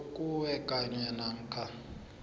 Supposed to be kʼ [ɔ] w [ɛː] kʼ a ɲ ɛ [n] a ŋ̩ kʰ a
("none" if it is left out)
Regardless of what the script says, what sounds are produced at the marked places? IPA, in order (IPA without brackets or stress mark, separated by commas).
u, ɛ, n